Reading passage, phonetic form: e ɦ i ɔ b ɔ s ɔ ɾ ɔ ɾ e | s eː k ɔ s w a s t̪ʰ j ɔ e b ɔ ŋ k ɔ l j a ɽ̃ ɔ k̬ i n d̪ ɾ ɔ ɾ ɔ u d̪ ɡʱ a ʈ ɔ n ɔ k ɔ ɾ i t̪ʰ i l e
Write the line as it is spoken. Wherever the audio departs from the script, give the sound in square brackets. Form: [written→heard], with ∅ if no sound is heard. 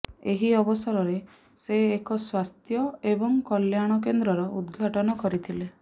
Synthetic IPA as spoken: e ɦ i ɔ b ɔ s ɔ ɾ ɔ ɾ e | s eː k ɔ s w a s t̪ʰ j ɔ e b ɔ ŋ k ɔ l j a ɽ̃ ɔ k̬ [i→e] n d̪ ɾ ɔ ɾ ɔ u d̪ ɡʱ a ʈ ɔ n ɔ k ɔ ɾ i t̪ʰ i l e